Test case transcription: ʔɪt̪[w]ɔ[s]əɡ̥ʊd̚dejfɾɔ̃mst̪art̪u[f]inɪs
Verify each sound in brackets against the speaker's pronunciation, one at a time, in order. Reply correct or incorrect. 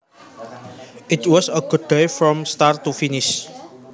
correct, correct, correct

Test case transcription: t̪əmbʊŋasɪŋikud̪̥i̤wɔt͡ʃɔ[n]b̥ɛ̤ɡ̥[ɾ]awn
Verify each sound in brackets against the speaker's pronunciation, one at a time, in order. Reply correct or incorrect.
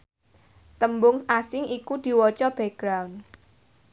incorrect, correct

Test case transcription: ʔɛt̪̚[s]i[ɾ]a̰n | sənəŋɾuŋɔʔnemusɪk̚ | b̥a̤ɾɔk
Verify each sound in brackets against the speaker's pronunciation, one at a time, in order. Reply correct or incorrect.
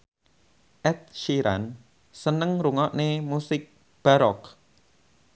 incorrect, correct

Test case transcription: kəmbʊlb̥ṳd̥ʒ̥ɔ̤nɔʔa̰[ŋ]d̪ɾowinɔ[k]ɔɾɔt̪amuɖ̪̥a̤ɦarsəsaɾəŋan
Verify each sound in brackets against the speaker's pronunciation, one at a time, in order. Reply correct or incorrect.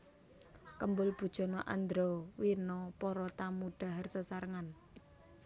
incorrect, incorrect

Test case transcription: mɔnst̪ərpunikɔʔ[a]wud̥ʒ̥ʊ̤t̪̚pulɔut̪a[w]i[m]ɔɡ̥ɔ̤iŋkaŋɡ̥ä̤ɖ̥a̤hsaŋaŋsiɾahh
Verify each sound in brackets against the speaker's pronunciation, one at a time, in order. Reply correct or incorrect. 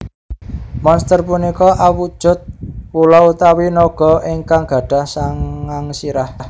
correct, correct, incorrect

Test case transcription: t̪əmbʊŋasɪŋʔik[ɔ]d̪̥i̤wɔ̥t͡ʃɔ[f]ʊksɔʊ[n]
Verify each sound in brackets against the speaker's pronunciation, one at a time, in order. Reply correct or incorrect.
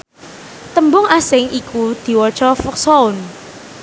incorrect, correct, correct

